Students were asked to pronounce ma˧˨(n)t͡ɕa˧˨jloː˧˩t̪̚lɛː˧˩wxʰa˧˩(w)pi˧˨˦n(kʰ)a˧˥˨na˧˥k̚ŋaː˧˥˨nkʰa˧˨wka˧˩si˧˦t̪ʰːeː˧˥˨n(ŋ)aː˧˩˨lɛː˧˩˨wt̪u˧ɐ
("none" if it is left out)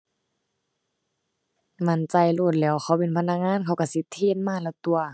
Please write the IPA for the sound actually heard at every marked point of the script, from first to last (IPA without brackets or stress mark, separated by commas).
n, w, pʰ, m